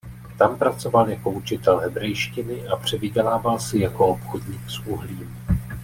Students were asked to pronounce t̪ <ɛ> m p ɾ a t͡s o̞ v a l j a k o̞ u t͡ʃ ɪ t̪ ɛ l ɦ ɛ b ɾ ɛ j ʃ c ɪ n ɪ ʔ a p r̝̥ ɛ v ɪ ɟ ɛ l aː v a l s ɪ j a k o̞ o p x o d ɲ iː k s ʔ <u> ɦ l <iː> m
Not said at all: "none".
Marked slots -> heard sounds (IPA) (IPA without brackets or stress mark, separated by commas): a, u, iː